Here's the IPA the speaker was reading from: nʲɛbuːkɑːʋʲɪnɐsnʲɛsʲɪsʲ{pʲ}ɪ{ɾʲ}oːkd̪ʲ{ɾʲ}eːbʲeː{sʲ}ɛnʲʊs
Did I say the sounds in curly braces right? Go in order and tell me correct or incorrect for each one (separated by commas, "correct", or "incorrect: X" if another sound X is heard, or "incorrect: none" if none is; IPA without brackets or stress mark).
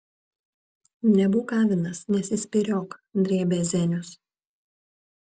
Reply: correct, correct, correct, incorrect: zʲ